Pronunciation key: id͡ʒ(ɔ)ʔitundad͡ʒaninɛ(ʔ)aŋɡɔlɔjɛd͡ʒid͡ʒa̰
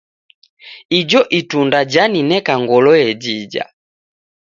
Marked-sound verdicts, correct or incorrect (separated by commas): correct, incorrect